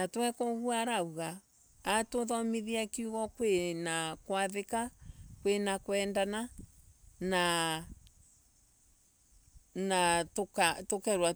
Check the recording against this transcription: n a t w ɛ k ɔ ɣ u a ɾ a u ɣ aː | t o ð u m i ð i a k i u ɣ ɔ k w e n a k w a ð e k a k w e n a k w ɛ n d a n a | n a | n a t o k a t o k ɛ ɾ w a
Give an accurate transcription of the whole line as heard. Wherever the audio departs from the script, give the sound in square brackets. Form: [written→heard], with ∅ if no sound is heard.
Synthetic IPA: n a t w ɛ k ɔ ɣ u a ɾ a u ɣ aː | t o ð [u→ɔ] m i ð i a k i u ɣ ɔ k w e n a k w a ð e k a k w e n a k w ɛ n d a n a | n a | n a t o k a t o k ɛ ɾ w a